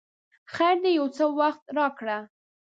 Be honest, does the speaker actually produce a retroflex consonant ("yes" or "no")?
yes